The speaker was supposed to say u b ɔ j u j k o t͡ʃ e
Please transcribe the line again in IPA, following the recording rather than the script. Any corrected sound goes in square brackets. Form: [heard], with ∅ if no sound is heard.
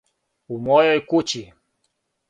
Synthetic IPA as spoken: u [m] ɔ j [ɔ] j k [u] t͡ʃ [i]